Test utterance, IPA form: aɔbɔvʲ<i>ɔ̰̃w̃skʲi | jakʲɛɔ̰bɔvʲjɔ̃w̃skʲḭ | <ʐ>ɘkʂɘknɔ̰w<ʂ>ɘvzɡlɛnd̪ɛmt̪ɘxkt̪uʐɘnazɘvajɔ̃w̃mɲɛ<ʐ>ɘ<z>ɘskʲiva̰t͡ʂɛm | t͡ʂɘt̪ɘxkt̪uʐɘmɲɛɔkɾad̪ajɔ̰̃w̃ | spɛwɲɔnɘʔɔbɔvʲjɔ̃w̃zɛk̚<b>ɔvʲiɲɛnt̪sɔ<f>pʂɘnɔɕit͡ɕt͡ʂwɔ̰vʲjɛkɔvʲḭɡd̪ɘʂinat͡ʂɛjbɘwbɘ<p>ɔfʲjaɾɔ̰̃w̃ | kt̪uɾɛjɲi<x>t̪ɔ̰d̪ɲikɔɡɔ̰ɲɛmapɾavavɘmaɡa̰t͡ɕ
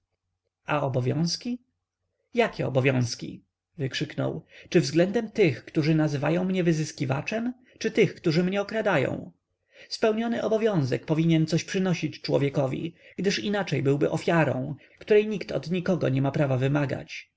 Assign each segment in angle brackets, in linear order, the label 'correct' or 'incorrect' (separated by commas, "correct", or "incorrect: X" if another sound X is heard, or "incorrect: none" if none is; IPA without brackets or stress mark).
incorrect: j, incorrect: v, incorrect: t͡ʂ, incorrect: v, correct, incorrect: p, incorrect: ɕ, incorrect: ʔ, incorrect: k